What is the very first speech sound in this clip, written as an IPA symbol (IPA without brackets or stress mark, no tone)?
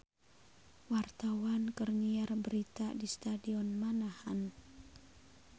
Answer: w